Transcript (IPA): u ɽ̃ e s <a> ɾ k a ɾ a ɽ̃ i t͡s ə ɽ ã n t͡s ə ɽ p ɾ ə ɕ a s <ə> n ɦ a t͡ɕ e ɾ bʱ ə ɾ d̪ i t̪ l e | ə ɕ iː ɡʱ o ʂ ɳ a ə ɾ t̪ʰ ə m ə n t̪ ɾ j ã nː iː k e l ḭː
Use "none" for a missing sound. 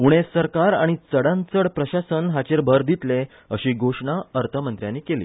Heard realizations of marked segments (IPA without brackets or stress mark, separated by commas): ə, ə